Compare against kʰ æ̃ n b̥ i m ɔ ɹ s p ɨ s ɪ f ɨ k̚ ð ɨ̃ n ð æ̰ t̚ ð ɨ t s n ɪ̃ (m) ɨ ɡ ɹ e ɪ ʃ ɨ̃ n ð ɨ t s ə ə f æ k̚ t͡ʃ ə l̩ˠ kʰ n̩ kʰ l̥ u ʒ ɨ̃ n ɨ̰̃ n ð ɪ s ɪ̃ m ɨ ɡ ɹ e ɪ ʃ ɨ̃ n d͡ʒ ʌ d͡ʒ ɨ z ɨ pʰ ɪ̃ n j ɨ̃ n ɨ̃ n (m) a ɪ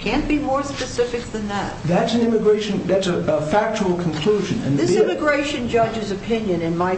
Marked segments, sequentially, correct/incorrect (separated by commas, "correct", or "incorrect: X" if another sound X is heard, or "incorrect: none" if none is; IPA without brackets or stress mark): correct, correct